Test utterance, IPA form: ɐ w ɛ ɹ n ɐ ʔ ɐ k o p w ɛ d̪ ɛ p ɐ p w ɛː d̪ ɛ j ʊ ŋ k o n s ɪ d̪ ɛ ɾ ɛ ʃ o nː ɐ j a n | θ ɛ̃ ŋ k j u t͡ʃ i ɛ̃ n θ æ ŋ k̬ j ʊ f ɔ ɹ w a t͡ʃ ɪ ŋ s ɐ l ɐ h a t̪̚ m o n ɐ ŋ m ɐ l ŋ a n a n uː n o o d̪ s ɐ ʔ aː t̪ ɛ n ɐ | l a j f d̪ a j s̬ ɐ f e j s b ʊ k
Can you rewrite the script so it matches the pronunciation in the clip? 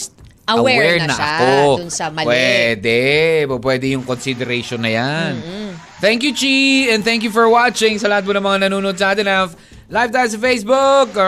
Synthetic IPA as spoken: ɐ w ɛ ɹ n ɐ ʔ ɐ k o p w ɛ d̪ ɛ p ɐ p w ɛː d̪ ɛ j ʊ ŋ k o n s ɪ d̪ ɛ ɾ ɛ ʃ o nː ɐ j a n | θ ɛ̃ ŋ k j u t͡ʃ i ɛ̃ n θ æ ŋ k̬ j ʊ f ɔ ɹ w a t͡ʃ ɪ ŋ s ɐ l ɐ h a t̪̚ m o n ɐ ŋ m ɐ ŋ a n ɐ n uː n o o d̪ s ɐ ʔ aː t̪ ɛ n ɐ | l a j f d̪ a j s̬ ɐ f e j s b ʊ k